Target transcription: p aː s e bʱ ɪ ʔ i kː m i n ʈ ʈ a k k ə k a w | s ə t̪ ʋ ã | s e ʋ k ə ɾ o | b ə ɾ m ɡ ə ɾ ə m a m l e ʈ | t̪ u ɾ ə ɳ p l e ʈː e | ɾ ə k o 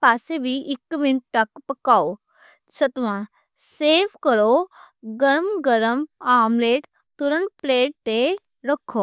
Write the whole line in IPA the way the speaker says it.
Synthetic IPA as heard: p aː s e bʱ i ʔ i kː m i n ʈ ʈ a k p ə k a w | s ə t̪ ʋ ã | s e ʋ k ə ɾ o | ɡ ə ɾ m ɡ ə ɾ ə m a m l e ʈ | t̪ u ɾ ə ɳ p l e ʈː e | ɾ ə kʰ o